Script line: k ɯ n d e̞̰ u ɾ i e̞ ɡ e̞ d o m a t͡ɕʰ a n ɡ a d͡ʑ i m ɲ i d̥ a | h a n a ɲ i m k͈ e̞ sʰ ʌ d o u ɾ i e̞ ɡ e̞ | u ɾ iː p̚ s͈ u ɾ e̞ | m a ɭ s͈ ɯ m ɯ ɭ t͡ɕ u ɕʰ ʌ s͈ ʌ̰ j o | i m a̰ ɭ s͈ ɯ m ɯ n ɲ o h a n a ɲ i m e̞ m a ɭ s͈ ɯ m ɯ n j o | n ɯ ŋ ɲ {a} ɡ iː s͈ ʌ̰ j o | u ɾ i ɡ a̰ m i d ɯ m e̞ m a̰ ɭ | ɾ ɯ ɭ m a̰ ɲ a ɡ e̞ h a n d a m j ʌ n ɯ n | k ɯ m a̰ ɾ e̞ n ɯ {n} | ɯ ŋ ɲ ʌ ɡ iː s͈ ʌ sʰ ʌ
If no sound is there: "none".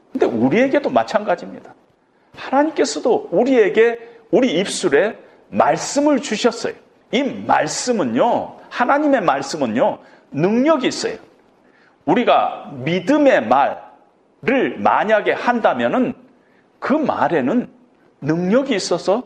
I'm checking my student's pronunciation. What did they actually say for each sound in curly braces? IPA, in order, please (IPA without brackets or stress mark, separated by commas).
ʌ, nː